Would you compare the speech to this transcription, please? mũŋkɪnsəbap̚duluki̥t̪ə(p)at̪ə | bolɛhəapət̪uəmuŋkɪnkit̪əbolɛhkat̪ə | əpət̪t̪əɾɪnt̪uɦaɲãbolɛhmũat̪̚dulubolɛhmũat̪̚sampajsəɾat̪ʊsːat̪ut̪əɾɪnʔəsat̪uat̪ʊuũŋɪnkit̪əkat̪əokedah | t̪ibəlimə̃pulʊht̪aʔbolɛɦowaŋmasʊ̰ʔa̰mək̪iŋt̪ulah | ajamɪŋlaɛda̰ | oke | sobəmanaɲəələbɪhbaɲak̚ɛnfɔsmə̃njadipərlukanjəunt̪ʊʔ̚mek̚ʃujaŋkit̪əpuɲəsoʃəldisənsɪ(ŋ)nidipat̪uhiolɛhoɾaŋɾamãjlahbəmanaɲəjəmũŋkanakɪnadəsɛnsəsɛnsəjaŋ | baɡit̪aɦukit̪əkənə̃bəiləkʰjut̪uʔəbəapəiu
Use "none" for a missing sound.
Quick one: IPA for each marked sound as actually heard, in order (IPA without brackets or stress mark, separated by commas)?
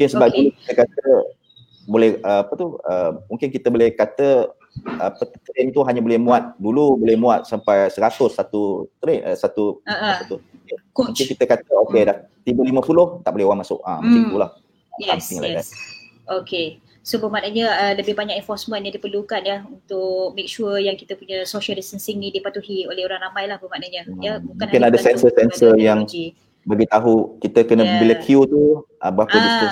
k, ŋ